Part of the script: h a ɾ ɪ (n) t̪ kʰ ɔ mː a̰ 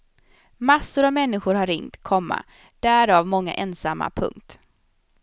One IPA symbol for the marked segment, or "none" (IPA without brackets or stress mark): ŋ